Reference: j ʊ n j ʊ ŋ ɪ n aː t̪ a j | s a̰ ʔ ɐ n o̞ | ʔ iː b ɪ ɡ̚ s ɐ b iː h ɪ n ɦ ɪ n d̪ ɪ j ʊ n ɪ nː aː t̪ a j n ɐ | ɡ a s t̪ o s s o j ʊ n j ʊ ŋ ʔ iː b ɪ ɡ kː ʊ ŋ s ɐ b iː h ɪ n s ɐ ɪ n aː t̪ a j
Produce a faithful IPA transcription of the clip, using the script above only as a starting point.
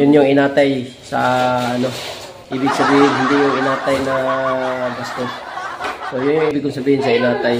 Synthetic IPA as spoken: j ʊ n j ʊ ŋ ɪ n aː t̪ a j | s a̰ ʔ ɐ n o̞ | ʔ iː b ɪ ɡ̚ s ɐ b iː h ɪ n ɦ ɪ n d̪ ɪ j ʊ ŋ ɪ n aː t̪ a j n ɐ | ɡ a s t̪ o s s o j ʊ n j ʊ ŋ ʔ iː b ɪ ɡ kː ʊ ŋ s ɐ b iː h ɪ n s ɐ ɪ n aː t̪ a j